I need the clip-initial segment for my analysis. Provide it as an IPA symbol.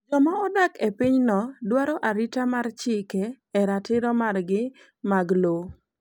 d͡ʒ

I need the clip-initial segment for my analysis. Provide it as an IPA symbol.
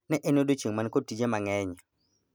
n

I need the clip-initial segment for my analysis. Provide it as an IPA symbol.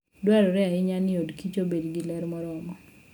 d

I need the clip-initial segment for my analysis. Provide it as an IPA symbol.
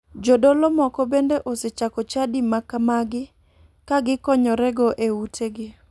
d͡ʒ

